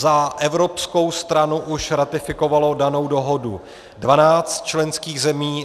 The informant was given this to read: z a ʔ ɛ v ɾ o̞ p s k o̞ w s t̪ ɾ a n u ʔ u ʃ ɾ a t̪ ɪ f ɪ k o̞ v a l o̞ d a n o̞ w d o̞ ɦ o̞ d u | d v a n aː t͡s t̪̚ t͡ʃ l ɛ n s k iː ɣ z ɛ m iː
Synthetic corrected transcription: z a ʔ ɛ v ɾ o̞ p s k o̞ w s t̪ ɾ a n u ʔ u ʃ ɾ a t̪ ɪ f ɪ k o̞ v a l o̞ d a n o̞ w d o̞ ɦ o̞ d u | d v a n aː t͡s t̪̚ t͡ʃ l ɛ n s k iː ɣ z ɛ m iː